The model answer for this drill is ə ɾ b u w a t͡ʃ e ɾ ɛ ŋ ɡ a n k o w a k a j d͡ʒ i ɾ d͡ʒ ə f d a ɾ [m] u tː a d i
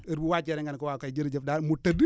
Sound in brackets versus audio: correct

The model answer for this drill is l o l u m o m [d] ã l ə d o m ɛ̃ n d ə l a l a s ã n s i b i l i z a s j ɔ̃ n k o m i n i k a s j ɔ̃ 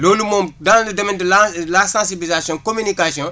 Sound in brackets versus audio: correct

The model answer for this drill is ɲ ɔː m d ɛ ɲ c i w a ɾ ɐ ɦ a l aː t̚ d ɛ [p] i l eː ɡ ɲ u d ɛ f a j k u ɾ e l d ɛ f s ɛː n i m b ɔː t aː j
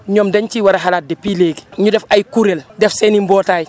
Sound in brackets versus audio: correct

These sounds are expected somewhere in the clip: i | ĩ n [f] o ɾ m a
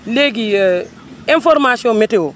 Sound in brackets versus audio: correct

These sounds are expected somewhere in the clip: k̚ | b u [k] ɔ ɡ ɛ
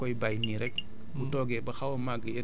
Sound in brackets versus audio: incorrect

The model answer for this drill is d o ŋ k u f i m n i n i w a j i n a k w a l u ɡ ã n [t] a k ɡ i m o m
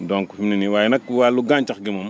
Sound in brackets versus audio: incorrect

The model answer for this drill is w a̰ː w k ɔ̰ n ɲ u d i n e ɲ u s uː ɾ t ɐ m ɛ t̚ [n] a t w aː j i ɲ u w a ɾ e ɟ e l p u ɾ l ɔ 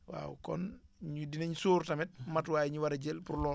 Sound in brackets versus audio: incorrect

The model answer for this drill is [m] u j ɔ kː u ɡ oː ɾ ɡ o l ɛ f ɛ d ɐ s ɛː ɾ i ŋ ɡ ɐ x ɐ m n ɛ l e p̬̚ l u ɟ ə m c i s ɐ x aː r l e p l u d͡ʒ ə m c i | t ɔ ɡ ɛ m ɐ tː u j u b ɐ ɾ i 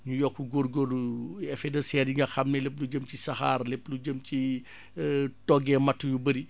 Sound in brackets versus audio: incorrect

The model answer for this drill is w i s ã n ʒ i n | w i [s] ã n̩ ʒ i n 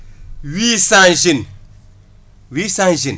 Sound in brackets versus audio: correct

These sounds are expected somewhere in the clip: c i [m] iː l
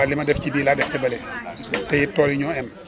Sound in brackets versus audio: incorrect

